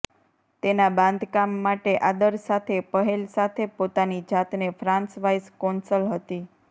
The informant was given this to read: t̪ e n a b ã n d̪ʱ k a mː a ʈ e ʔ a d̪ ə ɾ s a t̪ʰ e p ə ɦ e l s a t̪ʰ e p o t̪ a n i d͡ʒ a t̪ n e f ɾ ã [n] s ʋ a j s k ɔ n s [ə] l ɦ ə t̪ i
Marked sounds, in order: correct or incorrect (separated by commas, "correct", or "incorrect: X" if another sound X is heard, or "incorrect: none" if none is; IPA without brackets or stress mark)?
correct, correct